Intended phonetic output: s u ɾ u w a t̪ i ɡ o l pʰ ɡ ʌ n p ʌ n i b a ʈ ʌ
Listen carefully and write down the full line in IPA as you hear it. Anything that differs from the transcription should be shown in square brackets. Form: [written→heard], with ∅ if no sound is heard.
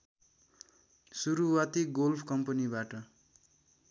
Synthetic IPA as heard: s u ɾ u w a t̪ i ɡ o l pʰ [ɡ→k] ʌ [n→m] p ʌ n i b a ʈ ʌ